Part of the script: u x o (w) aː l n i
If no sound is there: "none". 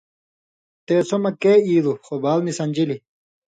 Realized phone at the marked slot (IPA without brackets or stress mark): b